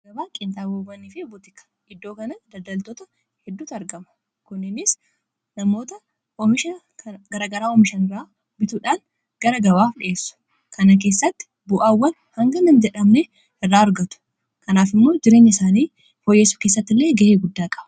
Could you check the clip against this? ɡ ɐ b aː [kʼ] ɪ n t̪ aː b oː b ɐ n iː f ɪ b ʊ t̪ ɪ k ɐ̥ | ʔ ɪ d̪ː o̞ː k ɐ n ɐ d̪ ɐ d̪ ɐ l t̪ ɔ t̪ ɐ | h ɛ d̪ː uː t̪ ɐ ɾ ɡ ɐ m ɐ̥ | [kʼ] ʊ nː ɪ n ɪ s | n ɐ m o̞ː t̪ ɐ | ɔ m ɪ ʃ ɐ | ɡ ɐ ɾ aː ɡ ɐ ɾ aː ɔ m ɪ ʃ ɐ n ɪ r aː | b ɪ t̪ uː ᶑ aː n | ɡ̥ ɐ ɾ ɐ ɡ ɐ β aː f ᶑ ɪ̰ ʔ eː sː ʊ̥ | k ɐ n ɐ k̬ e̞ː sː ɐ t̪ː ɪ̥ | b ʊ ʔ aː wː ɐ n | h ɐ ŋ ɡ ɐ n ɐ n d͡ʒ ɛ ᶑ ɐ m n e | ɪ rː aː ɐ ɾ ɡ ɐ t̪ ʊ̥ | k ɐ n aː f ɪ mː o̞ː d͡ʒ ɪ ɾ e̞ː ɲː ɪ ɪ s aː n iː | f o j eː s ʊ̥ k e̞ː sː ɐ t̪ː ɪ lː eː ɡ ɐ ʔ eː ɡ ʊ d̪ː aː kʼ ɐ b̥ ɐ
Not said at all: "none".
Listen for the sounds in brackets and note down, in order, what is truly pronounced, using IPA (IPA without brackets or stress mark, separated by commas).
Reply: kʼ, k